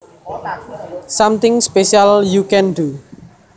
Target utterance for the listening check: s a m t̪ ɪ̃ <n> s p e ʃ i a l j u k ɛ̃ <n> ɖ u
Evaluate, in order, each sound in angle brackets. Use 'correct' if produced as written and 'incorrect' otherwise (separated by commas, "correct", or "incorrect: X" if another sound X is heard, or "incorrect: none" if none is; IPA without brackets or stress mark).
incorrect: ŋ, correct